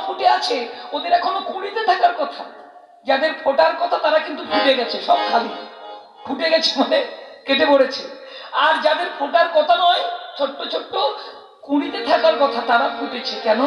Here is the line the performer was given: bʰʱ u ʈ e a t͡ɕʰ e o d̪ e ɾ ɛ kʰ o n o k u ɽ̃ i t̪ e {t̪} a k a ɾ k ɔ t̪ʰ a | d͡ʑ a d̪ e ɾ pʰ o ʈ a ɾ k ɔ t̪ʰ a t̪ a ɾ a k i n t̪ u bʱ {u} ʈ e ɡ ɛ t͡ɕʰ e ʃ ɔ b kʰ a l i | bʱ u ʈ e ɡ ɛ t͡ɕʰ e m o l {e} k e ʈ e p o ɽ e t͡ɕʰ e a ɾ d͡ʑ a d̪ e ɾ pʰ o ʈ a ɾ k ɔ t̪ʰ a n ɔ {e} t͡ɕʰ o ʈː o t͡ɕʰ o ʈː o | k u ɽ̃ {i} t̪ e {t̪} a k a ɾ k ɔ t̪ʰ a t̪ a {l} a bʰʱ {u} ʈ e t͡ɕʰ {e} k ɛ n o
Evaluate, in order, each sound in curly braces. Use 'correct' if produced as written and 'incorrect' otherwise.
incorrect, correct, correct, correct, correct, incorrect, incorrect, correct, correct

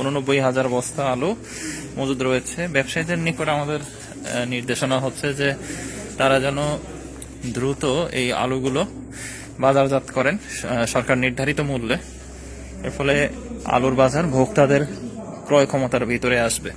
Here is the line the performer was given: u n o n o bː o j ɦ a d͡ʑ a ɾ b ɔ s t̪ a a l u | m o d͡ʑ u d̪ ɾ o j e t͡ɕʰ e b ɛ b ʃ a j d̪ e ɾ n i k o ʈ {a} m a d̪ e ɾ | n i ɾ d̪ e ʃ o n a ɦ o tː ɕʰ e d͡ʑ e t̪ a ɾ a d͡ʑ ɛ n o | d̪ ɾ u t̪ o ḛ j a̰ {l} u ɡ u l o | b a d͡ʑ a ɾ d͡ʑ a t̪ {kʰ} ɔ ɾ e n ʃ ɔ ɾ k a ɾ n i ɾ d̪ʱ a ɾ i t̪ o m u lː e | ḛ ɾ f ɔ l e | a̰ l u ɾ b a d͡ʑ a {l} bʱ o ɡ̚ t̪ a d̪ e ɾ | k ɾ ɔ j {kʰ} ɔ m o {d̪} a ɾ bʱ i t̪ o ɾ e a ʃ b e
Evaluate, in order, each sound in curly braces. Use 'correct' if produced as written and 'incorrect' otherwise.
correct, correct, incorrect, incorrect, correct, incorrect

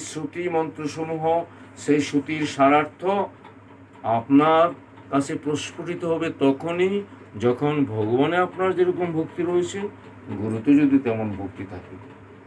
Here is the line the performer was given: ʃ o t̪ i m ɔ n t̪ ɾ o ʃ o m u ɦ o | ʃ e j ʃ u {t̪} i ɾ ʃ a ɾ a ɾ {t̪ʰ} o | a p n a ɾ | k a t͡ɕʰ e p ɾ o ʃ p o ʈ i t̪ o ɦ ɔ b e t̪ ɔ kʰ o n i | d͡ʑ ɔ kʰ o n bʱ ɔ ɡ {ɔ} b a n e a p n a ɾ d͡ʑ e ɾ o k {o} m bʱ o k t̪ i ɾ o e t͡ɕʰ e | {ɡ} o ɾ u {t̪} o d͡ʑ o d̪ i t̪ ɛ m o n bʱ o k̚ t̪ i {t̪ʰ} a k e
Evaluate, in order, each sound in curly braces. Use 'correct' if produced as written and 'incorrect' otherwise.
correct, correct, incorrect, correct, correct, correct, correct

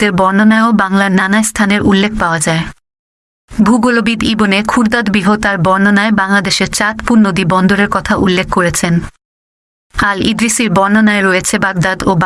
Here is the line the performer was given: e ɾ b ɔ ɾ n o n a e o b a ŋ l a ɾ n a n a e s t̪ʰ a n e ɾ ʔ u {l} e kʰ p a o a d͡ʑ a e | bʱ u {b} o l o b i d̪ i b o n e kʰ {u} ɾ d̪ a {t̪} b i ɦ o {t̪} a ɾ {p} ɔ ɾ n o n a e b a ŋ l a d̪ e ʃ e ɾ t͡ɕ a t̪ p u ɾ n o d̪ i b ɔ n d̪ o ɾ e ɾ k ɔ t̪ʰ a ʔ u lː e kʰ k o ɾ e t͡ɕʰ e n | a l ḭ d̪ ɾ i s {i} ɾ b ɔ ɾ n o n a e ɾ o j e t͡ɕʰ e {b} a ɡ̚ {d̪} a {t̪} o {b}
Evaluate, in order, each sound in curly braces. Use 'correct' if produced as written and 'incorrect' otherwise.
incorrect, incorrect, correct, incorrect, correct, incorrect, correct, correct, correct, incorrect, correct

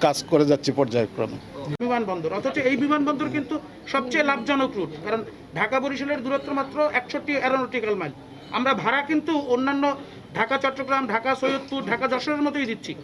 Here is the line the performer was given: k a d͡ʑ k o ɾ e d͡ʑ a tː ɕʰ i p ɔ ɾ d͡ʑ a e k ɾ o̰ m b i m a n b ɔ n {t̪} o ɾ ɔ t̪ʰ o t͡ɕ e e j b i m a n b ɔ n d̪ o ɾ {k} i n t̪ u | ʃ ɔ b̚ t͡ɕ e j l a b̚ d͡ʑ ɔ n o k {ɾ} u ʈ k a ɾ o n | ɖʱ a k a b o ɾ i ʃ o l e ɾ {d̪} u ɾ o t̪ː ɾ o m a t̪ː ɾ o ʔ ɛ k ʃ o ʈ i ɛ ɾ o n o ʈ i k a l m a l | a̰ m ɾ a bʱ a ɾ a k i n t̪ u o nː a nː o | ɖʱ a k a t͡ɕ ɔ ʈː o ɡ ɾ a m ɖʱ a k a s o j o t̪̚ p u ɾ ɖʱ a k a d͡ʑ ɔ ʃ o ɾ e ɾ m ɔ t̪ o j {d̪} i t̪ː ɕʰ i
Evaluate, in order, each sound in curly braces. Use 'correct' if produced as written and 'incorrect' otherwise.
incorrect, correct, correct, correct, correct

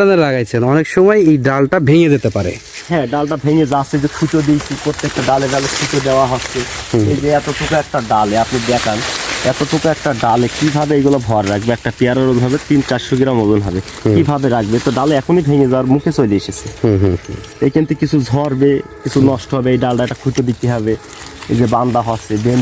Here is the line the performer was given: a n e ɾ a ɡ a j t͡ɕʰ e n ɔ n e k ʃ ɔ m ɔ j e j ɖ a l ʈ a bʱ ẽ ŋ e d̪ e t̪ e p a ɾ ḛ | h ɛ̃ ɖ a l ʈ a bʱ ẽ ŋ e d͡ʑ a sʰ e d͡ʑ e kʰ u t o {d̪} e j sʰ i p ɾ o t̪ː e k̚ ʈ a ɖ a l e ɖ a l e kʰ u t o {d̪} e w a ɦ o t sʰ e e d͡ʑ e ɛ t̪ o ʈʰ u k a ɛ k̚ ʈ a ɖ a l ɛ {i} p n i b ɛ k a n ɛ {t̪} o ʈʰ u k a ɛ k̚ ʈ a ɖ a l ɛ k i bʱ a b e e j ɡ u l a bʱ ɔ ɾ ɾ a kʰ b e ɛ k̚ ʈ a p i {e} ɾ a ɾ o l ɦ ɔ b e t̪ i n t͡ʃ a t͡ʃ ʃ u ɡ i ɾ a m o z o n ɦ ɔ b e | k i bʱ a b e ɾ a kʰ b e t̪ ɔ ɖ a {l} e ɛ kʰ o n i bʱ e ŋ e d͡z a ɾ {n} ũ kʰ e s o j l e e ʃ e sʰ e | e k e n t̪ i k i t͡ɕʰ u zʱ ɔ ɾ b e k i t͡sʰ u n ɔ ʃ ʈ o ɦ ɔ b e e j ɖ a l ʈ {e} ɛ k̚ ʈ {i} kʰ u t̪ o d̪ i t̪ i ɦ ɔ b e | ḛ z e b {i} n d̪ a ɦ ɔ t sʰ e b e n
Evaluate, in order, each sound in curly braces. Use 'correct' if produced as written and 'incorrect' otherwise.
correct, correct, incorrect, correct, incorrect, correct, incorrect, incorrect, incorrect, incorrect

